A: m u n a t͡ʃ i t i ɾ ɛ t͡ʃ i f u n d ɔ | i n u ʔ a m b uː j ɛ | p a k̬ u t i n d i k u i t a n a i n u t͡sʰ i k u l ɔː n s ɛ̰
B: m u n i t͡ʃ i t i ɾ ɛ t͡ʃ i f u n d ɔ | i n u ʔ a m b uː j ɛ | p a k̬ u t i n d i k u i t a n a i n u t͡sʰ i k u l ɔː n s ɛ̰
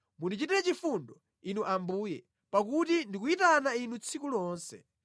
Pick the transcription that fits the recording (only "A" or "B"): B